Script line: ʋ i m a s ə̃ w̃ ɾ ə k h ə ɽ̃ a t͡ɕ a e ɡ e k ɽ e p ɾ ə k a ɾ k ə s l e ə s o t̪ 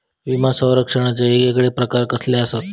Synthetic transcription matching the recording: ʋ i m a s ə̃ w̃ ɾ ə k ʂ ə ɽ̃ a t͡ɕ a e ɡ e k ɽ e p ɾ ə k a ɾ k ə s l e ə s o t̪

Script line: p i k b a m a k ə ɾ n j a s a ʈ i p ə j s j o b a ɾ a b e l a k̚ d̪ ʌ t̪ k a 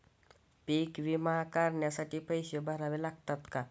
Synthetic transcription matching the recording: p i k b i m a k a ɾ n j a s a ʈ i p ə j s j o b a ɾ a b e l a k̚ t̪ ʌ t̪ k a

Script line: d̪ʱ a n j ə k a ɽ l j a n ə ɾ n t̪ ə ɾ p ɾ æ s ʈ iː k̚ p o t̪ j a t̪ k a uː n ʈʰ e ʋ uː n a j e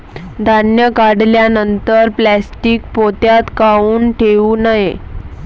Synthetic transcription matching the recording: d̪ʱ a n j ə k a ɽ l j a n ə n t̪ ə ɾ p l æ s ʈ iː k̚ p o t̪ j a t̪ k a uː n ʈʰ e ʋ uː n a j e

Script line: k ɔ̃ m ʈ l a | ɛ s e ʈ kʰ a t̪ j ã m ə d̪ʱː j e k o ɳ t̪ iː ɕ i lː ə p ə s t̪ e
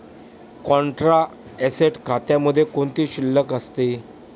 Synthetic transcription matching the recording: k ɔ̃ ɳ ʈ ɾ a | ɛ s e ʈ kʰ a t̪ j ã m ə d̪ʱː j e k o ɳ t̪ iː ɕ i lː ə k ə s t̪ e

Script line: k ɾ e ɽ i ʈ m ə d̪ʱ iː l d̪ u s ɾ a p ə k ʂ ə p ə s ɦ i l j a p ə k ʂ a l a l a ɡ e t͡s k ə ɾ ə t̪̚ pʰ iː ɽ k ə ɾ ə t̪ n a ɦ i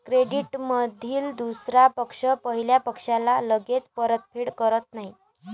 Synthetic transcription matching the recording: k ɾ e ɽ i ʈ m ə d̪ʱ iː l d̪ u s ɾ a p ə k ʂ ə p ə ɦ i l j a p ə k ʂ a l a l ə ɡ e t͡s p ə ɾ ə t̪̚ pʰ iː ɽ k ə ɾ ə t̪ n a ɦ i

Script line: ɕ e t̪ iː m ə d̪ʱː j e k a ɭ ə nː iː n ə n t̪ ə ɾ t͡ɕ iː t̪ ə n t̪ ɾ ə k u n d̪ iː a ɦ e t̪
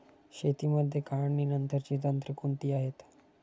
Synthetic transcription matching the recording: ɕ e t̪ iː m ə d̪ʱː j e k a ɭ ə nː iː n ə n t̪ ə ɾ t͡ɕ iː t̪ ə n t̪ ɾ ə k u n t̪ iː a ɦ e t̪

